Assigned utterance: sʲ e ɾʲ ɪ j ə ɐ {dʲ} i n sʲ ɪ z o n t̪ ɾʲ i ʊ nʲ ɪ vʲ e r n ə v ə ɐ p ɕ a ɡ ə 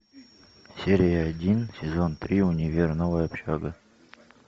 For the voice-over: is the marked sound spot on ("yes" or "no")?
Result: yes